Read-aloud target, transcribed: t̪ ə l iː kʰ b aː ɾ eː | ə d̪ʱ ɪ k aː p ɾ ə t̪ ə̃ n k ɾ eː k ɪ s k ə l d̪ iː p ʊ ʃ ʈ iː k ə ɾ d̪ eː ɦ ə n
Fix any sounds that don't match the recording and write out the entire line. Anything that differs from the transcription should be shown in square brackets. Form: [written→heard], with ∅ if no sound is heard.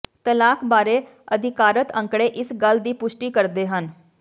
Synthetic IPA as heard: t̪ ə l [iː→aː] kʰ b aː ɾ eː | ə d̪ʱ ɪ k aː [p→∅] ɾ ə t̪ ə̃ [n→ŋ] k [ɾ→ɽ] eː [k→ʔ] ɪ s [k→ɡ] ə l d̪ iː p ʊ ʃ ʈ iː k ə ɾ d̪ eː ɦ ə n